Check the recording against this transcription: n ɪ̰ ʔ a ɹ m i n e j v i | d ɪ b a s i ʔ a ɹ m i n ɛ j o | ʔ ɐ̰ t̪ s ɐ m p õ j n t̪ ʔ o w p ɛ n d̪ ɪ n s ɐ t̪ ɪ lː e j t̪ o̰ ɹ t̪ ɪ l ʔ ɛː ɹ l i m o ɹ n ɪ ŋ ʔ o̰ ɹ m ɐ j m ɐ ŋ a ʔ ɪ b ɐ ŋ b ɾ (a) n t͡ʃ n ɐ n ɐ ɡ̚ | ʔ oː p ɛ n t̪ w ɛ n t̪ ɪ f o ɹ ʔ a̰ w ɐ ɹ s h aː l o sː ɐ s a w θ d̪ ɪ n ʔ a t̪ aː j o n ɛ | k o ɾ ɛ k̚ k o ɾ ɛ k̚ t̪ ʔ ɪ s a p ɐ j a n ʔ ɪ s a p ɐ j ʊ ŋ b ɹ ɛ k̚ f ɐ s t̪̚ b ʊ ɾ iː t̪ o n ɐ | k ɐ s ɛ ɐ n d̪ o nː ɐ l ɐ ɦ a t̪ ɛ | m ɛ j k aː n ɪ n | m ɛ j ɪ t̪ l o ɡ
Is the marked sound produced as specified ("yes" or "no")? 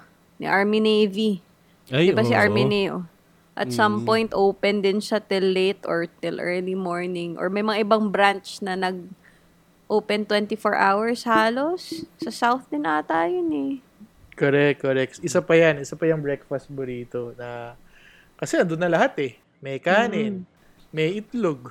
yes